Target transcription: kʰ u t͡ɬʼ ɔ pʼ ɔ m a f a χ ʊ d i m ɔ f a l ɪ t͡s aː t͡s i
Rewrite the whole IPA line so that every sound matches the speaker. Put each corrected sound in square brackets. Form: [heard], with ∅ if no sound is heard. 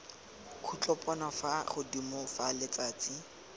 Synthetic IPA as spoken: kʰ u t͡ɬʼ ɔ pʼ ɔ [n] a f a χ ʊ d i m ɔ f a l ɪ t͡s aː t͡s i